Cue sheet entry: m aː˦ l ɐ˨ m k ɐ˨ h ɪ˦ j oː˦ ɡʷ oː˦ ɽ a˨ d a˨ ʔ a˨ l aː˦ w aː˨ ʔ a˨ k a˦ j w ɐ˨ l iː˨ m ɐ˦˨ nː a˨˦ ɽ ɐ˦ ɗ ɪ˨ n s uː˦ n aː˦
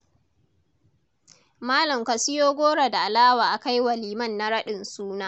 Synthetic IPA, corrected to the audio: m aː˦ l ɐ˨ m k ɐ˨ s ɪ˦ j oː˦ ɡʷ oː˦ ɽ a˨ d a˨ ʔ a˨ l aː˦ w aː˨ ʔ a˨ k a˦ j w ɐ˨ l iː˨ m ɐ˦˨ nː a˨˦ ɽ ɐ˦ ɗ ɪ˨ n s uː˦ n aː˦